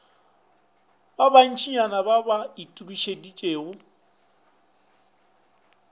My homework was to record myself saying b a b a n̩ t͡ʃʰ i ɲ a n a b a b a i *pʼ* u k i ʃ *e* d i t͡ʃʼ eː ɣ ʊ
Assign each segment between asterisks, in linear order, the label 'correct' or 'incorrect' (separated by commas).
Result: incorrect, correct